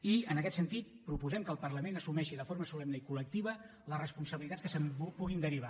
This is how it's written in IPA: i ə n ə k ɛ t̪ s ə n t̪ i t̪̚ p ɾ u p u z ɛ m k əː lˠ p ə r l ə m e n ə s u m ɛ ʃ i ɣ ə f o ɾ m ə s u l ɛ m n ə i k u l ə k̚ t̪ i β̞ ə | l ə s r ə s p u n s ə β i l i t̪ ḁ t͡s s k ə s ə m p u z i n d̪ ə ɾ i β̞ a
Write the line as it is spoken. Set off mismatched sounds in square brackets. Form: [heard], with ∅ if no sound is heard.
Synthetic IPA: i ə n ə k ɛ t̪ s ə n t̪ i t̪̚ p ɾ u p u z ɛ m k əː lˠ p ə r l ə m e n ə s u m ɛ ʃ i [ð] ə f o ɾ m ə s u l ɛ m n ə i k u l ə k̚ t̪ i β̞ ə | l ə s r ə s p u n s ə β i l i t̪ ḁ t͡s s k ə s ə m p u [ɣ] i n d̪ ə ɾ i β̞ a